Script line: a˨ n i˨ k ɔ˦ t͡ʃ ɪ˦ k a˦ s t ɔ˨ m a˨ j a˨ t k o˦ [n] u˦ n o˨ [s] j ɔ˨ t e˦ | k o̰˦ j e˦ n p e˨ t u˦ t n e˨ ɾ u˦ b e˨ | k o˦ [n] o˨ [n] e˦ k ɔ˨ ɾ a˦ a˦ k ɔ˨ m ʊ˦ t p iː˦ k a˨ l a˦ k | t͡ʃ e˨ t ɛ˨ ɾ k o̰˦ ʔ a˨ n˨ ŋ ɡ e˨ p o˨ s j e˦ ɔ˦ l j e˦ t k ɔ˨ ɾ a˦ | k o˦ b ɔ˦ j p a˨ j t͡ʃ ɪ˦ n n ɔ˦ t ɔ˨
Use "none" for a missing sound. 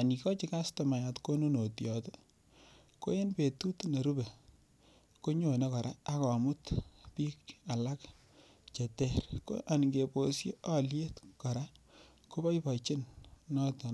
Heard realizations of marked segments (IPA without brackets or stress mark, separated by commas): n, t, ɲ, n